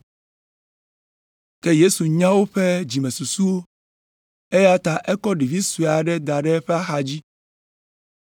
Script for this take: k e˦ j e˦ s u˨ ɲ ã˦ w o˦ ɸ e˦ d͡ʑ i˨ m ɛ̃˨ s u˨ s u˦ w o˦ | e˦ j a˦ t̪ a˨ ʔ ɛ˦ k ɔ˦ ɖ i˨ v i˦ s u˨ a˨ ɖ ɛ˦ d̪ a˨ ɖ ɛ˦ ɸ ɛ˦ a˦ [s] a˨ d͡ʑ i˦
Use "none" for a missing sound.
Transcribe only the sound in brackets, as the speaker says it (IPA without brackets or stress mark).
x